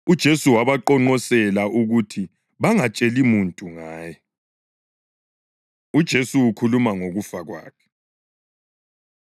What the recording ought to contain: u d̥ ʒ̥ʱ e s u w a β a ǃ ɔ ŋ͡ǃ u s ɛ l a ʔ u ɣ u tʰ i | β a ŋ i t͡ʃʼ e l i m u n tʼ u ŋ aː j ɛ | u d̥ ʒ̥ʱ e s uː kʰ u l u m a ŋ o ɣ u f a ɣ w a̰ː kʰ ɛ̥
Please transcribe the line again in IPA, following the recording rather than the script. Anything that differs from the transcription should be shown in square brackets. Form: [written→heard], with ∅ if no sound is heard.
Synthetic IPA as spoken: u d̥ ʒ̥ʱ e s u w a β a ǃ ɔ ŋ͡ǃ [u→ɔ] s ɛ l a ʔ u ɣ u tʰ i | β a ŋ [i→a] t͡ʃʼ e l i m u n tʼ u ŋ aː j ɛ | u d̥ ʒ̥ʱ e s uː kʰ u l u m a ŋ o ɣ u f a ɣ w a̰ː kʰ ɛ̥

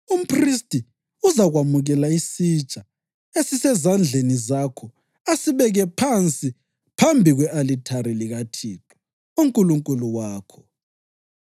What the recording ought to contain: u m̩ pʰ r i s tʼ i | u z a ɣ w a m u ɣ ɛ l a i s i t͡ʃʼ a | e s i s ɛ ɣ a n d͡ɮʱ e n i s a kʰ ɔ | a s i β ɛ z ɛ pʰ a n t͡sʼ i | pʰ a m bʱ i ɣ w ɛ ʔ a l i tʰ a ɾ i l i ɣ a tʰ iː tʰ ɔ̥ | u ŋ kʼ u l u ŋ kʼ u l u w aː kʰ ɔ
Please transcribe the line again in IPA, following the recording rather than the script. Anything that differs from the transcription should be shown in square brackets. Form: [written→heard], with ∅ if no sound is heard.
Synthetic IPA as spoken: u m̩ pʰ r i s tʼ i | u z a ɣ w a m u ɣ ɛ l a i s i t͡ʃʼ a | e s i s ɛ [ɣ→z] a n d͡ɮʱ e n i [s→z] a kʰ ɔ | a s i β ɛ [z→ɣ] ɛ pʰ a n t͡sʼ i | pʰ a m bʱ i ɣ w ɛ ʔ a l i tʰ a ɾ i l i ɣ a tʰ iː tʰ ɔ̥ | u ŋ kʼ u l u ŋ kʼ u l u w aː kʰ ɔ

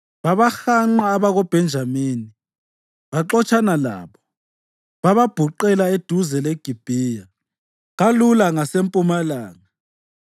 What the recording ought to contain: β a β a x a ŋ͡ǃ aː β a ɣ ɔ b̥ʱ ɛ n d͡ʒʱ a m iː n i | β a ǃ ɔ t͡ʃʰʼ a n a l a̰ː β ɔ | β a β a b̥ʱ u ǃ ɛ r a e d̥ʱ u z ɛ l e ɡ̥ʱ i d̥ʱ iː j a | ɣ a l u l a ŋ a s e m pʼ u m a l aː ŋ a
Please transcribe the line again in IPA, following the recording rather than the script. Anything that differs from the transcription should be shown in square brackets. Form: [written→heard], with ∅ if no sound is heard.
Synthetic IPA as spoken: β a β a x a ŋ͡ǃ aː β a ɣ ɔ b̥ʱ ɛ n d͡ʒʱ a m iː n i | β a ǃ ɔ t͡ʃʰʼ a n a l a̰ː β ɔ | β a β a b̥ʱ u ǃ ɛ [r→l] a e d̥ʱ u z ɛ l e ɡ̥ʱ i [d̥ʱ→b̥ʱ] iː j a | ɣ a l u l a ŋ a s e m pʼ u m a l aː ŋ a

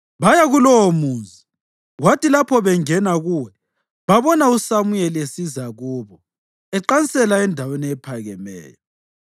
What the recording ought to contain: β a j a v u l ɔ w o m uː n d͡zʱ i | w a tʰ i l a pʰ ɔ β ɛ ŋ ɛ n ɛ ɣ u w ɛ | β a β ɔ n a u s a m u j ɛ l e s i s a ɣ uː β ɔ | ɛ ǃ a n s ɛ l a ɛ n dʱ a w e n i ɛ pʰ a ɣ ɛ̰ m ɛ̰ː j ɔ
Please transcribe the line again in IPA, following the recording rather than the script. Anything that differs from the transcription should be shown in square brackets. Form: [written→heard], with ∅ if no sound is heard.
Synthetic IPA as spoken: β a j a [v→ɣ] u l ɔ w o m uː n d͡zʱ i | w a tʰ i l a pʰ ɔ β ɛ ŋ ɛ n [ɛ→a] ɣ u w ɛ | β a β ɔ n a u s a m u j ɛ l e s i [s→z] a ɣ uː β ɔ | ɛ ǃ a n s ɛ l a ɛ n dʱ a w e n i ɛ pʰ a ɣ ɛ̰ m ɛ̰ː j ɔ

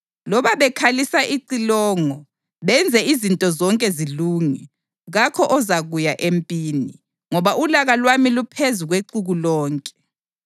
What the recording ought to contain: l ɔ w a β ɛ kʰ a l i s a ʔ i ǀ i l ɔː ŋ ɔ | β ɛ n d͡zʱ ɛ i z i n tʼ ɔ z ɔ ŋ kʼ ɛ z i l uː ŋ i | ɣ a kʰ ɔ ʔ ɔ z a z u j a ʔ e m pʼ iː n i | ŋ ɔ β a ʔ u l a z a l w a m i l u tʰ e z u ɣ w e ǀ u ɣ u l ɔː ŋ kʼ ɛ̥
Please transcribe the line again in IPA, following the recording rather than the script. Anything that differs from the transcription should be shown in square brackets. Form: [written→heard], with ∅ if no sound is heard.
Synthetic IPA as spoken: l ɔ [w→β] a β ɛ kʰ a l i s a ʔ i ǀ i l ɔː ŋ ɔ | β ɛ n d͡zʱ ɛ i z i n tʼ ɔ z ɔ ŋ kʼ ɛ z i l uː ŋ i | ɣ a kʰ ɔ ʔ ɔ z a [z→ɣ] u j a ʔ e m pʼ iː n i | ŋ ɔ β a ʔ u l a [z→ɣ] a l w a m i l u [tʰ→pʰ] e z u ɣ w e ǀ u ɣ u l ɔː ŋ kʼ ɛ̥

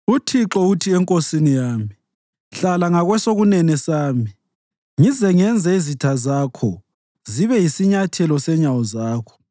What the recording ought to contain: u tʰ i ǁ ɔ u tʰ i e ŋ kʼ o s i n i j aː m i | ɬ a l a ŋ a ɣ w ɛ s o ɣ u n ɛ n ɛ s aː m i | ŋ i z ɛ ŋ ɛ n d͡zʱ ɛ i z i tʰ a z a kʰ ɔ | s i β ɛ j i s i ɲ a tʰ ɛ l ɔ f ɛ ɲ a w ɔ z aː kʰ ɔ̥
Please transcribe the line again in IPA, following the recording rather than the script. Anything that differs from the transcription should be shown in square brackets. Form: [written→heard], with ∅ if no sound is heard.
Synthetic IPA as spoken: u tʰ i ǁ ɔ u tʰ i [e→ɛ] ŋ kʼ o s i n i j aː m i | ɬ a l a ŋ a ɣ w ɛ s o ɣ u n ɛ n ɛ s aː m i | ŋ i z ɛ ŋ ɛ n d͡zʱ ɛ i z i tʰ a z a kʰ ɔ | [s→z] i β ɛ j i s i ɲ a tʰ ɛ l ɔ [f→s] ɛ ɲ a w ɔ z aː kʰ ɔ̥

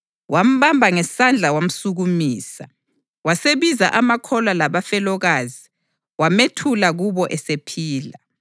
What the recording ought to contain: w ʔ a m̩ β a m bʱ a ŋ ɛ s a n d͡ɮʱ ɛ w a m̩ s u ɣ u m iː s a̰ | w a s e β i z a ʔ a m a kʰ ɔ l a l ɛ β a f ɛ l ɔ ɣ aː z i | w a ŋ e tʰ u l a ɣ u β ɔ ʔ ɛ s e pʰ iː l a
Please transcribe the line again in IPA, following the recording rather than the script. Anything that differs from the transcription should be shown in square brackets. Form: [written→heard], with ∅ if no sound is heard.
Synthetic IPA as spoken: w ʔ a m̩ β a m bʱ a ŋ ɛ s a n d͡ɮʱ [ɛ→a] w a m̩ s u ɣ u m iː s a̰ | w a s e β i z a ʔ a m a kʰ ɔ l a l [ɛ→a] β a f ɛ l ɔ ɣ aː z i | w a [ŋ→m] e tʰ u l a ɣ u β ɔ ʔ ɛ s e pʰ iː l a

